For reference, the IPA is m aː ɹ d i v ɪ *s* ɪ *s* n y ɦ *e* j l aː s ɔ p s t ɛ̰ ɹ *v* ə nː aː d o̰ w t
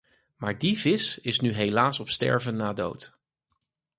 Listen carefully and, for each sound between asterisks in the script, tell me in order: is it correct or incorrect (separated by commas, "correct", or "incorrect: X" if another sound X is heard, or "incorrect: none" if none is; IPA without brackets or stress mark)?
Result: correct, correct, correct, correct